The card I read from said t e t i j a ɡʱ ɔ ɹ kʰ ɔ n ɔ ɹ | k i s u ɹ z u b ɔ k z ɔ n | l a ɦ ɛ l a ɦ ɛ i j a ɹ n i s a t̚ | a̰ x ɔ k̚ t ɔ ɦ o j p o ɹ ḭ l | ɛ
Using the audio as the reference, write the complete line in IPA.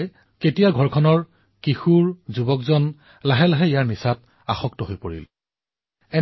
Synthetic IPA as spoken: k e t i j a ɡʱ ɔ ɹ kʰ ɔ n ɔ ɹ | k i x u ɹ z u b ɔ k z ɔ n | l a ɦ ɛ l a ɦ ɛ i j a ɹ n i s a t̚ | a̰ x ɔ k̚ t ɔ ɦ o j p o ɹ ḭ l | ɛ